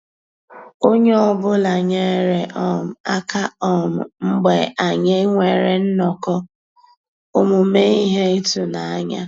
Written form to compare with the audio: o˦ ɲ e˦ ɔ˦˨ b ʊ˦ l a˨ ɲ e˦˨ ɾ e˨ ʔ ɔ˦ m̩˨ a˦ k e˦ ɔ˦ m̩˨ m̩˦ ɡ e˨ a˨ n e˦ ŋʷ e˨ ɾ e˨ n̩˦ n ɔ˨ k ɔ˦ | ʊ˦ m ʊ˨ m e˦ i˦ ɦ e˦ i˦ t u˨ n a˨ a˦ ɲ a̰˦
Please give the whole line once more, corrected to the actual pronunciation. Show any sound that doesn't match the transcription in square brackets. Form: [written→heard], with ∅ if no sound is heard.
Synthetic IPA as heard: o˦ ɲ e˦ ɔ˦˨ b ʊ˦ l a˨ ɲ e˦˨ ɾ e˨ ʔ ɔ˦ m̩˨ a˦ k [e˦→a˦] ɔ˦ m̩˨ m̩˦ [ɡ→ɡ͡b] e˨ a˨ [n→ɲ] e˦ ŋʷ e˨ ɾ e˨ n̩˦ n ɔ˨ k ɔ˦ | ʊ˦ m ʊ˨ m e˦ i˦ ɦ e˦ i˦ t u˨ n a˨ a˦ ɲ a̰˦